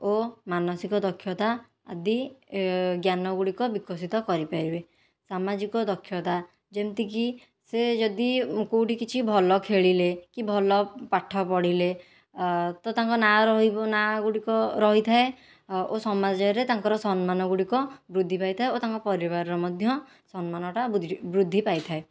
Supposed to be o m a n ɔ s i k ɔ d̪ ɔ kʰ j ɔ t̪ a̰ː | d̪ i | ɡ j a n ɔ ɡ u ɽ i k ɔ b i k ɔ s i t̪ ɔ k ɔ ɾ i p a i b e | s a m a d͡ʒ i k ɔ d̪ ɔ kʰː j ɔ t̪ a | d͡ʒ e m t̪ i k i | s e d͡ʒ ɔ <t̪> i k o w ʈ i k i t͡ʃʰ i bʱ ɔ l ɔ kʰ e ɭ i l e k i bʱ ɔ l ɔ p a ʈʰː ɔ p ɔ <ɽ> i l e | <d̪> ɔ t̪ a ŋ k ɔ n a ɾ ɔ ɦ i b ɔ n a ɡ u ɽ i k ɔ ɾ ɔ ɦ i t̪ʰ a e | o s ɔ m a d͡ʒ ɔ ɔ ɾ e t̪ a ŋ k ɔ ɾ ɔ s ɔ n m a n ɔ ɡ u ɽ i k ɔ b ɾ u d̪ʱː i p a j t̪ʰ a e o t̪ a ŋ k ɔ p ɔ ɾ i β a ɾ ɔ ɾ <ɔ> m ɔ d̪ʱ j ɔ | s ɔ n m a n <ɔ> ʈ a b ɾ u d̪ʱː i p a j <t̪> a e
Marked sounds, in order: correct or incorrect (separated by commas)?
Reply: incorrect, correct, incorrect, correct, correct, incorrect